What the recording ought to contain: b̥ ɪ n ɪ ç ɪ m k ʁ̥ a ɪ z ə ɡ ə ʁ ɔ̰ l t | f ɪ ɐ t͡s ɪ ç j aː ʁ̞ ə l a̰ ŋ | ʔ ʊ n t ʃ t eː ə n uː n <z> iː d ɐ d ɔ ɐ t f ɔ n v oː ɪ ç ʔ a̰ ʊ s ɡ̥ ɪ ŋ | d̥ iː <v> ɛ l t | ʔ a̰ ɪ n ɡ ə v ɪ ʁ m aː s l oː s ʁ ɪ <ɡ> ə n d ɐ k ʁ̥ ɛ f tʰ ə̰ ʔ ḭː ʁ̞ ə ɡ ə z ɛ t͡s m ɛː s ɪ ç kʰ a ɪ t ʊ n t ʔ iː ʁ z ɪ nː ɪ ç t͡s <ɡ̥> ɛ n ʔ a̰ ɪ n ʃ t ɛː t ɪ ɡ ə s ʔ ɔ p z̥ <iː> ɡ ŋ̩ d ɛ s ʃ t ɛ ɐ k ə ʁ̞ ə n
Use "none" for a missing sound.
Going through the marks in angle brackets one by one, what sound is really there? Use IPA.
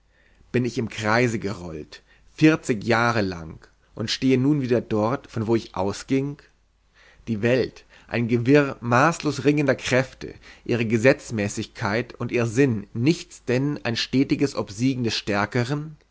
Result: v, v, ŋ, d̥, iː

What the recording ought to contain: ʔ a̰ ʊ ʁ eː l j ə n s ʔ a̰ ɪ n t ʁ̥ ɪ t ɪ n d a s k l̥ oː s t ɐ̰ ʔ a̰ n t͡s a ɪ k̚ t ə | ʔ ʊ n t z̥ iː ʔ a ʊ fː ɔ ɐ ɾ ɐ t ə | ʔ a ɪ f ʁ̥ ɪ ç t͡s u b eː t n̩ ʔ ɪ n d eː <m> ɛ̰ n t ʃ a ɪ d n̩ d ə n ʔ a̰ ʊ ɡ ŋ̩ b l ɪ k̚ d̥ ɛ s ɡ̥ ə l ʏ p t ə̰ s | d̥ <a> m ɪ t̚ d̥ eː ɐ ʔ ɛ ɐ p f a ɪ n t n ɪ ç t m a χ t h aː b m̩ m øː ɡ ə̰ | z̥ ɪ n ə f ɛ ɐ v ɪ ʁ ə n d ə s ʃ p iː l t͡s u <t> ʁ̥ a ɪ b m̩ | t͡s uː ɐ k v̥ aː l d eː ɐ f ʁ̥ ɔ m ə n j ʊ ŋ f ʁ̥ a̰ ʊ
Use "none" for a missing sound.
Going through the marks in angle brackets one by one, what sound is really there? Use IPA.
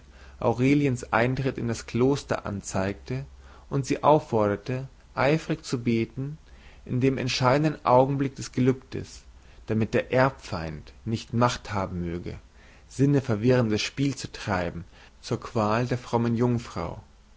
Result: m, a, t

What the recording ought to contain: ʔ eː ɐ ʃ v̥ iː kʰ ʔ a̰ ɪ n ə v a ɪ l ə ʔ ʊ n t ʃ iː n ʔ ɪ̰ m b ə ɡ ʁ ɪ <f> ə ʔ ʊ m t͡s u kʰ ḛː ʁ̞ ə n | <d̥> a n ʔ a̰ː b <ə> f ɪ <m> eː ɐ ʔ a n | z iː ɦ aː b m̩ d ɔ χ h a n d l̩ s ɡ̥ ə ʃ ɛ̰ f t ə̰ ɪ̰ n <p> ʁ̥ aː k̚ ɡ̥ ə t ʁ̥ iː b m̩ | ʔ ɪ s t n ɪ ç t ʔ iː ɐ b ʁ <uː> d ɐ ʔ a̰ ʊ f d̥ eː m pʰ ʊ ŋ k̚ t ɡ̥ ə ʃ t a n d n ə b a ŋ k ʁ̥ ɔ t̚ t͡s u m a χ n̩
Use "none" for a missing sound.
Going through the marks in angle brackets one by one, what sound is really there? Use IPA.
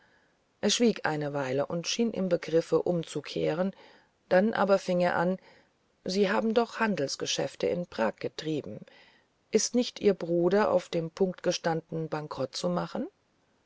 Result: f, d̥, ɐ, ŋ, p, uː

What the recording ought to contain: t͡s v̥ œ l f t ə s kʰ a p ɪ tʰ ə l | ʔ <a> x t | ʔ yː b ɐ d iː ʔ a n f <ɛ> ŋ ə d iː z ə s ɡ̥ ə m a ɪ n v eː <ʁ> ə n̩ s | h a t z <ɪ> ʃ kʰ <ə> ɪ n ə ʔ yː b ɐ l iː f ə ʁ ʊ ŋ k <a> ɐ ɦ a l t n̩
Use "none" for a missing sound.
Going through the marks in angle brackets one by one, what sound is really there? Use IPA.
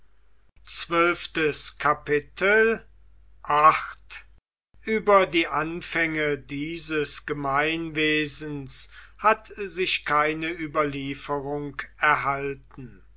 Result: a, ɛ, z, ɪ, a, ɛ

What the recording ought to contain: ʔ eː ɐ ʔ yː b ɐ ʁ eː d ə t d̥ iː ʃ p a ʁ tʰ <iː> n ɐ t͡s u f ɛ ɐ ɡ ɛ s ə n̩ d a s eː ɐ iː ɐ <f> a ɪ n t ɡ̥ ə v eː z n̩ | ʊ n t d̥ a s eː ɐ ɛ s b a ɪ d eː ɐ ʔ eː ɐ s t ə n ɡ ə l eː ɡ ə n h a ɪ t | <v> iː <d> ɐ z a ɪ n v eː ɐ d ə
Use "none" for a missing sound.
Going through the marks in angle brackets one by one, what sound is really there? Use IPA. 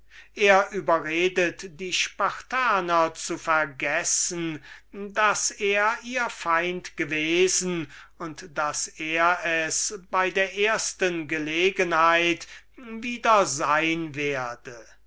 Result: aː, f, v, d

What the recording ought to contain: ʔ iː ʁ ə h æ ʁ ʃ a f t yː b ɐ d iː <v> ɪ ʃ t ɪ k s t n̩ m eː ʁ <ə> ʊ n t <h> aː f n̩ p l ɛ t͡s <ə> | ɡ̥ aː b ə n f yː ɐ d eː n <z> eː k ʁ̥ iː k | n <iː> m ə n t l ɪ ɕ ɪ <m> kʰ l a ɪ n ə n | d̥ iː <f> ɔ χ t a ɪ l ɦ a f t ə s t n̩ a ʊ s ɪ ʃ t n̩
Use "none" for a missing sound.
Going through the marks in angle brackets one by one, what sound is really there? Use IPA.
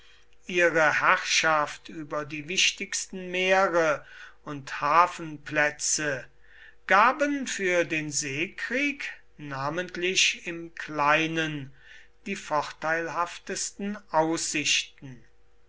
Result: v, ə, h, ə, z, aː, m, f

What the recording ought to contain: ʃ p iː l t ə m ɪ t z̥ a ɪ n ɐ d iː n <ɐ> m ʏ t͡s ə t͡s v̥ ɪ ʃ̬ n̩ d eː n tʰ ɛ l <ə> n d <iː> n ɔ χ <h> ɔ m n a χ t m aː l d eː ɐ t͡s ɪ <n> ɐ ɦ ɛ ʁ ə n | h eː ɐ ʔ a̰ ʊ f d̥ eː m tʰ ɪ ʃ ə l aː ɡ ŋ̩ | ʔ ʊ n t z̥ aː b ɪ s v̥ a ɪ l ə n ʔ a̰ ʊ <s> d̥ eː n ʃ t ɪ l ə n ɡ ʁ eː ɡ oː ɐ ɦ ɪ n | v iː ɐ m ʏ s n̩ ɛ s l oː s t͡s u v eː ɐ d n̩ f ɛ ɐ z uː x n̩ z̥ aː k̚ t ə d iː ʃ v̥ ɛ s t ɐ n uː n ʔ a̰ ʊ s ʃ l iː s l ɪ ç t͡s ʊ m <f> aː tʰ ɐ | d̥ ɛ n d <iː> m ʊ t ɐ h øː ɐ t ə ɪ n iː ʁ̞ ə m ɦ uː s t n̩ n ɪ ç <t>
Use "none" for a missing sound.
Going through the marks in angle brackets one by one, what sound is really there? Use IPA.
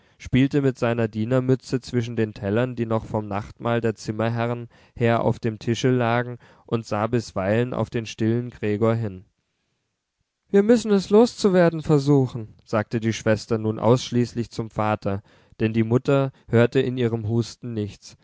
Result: ɐ, ɐ, iː, f, m, f, f, iː, t͡s

